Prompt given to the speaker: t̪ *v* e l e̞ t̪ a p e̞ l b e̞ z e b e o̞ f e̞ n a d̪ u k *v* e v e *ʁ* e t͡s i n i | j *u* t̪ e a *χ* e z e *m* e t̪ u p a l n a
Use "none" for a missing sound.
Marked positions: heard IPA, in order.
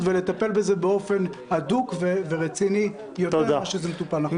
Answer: v, v, ʁ, o, ʃ, m

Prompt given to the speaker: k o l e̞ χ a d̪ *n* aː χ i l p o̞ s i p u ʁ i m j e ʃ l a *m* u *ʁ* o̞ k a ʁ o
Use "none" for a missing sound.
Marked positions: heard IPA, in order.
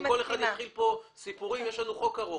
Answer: n, n, χ

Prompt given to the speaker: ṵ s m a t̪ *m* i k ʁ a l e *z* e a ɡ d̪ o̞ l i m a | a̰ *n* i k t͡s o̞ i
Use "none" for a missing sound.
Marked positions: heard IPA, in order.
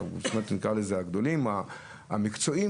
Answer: n, z, m

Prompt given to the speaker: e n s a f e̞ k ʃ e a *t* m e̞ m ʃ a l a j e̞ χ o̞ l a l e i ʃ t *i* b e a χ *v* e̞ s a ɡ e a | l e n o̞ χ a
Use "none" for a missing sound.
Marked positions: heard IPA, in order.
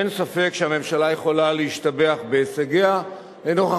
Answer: none, a, b

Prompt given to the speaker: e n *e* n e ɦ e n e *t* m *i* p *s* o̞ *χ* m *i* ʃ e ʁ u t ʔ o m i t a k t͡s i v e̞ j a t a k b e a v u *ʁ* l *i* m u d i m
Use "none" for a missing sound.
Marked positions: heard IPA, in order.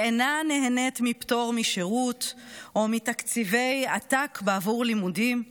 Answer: a, t, i, t, ʁ, i, ʁ, i

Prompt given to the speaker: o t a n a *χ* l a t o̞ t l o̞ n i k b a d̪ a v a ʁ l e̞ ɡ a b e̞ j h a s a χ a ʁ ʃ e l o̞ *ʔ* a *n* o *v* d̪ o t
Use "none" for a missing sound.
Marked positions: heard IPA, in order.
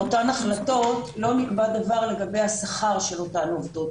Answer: χ, t, n, v

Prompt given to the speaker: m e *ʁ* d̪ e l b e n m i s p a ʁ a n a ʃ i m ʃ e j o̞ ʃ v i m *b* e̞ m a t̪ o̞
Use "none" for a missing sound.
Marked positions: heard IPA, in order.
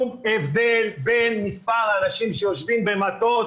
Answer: v, b

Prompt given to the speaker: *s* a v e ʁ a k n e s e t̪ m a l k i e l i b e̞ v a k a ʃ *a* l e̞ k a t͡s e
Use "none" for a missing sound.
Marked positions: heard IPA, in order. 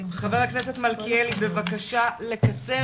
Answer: χ, a

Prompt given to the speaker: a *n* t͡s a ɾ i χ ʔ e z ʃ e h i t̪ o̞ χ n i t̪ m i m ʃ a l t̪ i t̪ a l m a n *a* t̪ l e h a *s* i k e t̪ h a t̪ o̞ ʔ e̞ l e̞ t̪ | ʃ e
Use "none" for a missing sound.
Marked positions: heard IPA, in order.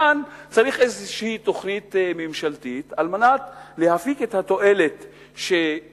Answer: n, a, f

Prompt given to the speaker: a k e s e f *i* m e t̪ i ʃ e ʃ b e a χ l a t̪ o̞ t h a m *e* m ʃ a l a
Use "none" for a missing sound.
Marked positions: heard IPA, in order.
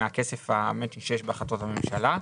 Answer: a, e

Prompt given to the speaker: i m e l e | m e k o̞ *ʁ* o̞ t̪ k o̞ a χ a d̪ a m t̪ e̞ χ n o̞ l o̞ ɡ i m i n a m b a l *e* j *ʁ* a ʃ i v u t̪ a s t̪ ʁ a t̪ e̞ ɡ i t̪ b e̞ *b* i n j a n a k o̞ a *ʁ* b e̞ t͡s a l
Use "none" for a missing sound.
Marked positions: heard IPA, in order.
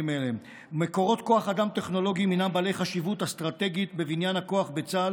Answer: ʁ, e, χ, v, χ

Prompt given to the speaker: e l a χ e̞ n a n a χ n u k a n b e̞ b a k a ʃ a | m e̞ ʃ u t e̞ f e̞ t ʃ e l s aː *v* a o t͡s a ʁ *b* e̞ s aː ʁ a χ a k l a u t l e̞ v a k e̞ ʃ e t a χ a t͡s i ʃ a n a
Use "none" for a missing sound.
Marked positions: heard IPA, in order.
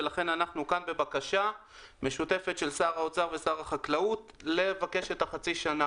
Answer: ʁ, v

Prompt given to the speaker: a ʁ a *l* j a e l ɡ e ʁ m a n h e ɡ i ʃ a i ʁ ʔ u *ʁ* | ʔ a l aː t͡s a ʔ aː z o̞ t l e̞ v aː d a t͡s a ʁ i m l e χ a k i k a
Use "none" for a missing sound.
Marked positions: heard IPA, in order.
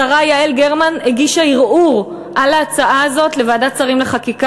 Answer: none, ʁ

